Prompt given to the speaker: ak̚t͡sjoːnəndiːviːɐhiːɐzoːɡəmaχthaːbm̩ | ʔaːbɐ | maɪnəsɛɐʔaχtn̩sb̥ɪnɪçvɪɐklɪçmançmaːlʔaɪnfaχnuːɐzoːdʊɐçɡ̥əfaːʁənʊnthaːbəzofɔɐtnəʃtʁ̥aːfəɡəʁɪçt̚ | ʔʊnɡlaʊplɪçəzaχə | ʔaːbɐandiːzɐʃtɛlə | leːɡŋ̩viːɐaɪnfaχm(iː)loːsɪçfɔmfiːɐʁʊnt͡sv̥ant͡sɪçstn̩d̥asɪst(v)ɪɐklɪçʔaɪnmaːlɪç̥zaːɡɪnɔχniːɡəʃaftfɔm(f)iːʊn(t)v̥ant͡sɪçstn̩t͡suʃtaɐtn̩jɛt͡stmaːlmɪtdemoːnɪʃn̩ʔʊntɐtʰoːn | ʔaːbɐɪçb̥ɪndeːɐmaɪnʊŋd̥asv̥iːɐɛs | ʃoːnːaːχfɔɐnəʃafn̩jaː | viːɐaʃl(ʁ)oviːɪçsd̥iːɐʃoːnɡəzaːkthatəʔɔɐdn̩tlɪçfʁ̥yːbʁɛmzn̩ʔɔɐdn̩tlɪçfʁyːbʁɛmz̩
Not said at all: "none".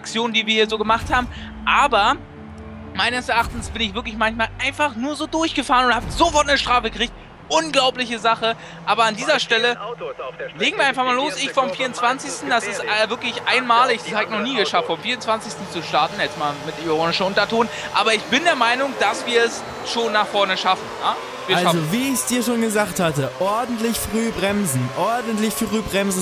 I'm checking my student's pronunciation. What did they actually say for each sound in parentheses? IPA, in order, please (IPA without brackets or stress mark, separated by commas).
aː, v, f, t͡s, z